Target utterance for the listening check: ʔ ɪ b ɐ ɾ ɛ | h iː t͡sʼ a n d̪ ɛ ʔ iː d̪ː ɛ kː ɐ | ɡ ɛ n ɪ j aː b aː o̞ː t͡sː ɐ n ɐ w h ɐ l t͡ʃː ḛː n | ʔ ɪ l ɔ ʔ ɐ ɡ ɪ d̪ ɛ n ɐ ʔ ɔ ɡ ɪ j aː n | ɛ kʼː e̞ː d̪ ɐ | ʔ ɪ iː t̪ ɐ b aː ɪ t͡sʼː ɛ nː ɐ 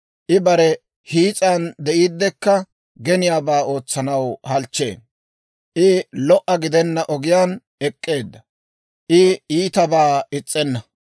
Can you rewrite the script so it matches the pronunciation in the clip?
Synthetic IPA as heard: ʔ ɪ b ɐ ɾ ɛ | h iː t͡sʼ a n d̪ ɛ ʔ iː d̪ː ɛ kː ɐ | ɡ ɛ n ɪ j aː b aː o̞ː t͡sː ɐ n ɐ w h ɐ l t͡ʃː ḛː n | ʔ ɪ l ɔ ʔ ɐ ɡ ɪ d̪ ɛ nː ɐ ʔ ɔ ɡ ɪ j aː n | ɛ kʼː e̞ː d̪ː ɐ | ʔ ɪ iː t̪ ɐ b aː ɪ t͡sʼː ɛ nː ɐ